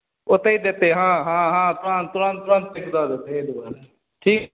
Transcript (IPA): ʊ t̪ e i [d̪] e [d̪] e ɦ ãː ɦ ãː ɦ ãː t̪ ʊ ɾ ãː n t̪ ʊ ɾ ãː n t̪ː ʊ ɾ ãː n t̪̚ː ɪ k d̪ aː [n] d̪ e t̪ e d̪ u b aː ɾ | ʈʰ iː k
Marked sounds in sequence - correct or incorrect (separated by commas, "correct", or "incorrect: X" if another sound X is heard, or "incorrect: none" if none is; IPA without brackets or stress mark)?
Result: correct, incorrect: t̪, incorrect: none